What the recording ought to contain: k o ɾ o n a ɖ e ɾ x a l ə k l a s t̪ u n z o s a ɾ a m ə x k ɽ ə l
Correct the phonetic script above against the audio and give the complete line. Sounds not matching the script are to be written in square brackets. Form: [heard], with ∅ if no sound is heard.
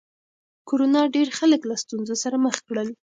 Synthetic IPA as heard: k o ɾ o n [ɑ] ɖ e ɾ x a l ə k l a s t̪ u n z o s a ɾ a m ə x k ɽ ə l